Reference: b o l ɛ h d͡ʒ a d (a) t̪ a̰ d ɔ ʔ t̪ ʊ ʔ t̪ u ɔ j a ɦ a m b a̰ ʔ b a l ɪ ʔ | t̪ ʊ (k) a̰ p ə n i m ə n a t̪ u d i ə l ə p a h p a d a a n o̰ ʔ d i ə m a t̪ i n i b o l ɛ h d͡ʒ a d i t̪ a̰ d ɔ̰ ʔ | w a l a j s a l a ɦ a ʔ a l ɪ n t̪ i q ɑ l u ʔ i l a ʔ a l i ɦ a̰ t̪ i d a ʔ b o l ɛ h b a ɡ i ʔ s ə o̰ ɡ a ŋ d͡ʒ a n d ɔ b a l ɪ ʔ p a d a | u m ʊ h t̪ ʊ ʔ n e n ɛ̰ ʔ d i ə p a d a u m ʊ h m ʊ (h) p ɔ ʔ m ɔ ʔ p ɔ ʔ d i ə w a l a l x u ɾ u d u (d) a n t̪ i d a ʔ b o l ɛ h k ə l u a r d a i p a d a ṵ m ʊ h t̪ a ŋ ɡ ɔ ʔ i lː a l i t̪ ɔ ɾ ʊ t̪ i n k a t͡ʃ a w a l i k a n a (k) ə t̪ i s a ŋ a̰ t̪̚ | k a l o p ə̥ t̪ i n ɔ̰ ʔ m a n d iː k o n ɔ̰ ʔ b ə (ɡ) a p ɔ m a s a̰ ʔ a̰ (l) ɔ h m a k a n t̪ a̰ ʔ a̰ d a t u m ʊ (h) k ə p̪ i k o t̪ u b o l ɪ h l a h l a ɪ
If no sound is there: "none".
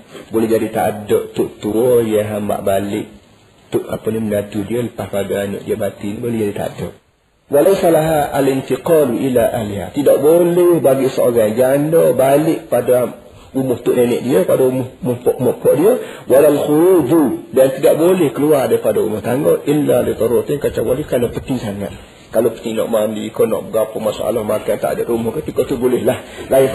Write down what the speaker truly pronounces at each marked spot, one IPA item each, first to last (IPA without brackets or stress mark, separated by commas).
i, ʔ, h, d, p, ɡ, l, h